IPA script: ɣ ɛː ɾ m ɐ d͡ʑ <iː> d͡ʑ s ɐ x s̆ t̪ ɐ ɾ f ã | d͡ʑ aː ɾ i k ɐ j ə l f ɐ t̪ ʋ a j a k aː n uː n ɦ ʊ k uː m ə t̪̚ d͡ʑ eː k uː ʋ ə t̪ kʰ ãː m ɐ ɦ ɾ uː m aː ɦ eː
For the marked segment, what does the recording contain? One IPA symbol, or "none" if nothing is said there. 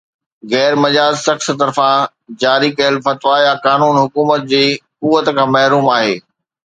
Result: aː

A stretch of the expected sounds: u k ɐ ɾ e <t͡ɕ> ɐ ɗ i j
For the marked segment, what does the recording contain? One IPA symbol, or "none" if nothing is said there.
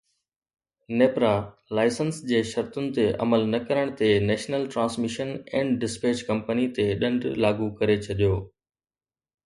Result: t͡ɕʰ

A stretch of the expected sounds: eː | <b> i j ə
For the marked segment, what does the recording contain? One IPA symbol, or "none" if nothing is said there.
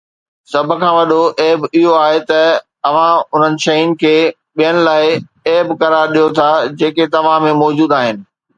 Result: ɓ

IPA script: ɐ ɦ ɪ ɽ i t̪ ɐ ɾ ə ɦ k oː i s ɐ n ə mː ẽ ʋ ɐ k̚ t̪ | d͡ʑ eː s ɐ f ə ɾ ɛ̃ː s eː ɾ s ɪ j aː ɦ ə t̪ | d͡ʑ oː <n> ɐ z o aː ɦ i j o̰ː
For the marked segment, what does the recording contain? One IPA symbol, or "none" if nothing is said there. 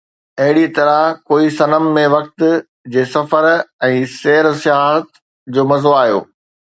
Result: m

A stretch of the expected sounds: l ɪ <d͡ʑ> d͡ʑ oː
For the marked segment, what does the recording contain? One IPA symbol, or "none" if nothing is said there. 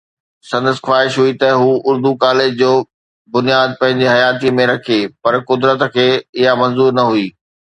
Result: d͡ʑ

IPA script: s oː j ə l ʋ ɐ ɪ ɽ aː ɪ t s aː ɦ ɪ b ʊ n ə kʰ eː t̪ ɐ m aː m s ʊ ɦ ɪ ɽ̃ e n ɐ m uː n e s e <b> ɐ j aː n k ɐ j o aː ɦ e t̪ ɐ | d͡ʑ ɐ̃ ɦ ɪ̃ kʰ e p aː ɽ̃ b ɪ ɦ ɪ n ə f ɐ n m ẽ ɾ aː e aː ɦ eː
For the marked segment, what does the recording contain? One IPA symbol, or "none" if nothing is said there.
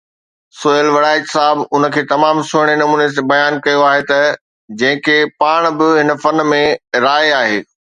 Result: b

